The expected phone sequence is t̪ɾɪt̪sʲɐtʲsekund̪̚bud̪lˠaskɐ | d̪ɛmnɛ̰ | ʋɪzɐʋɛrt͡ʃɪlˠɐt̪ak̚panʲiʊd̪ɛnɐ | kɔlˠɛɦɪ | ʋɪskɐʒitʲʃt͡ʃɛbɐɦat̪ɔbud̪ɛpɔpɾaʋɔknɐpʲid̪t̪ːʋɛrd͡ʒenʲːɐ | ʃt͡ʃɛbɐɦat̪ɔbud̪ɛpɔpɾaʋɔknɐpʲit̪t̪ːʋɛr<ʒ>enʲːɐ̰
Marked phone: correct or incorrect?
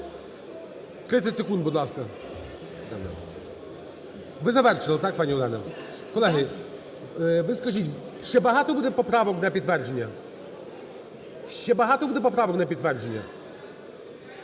incorrect